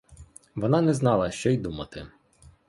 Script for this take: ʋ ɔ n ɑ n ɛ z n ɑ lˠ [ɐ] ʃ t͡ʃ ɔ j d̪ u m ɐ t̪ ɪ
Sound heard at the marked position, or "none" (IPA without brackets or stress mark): ɐ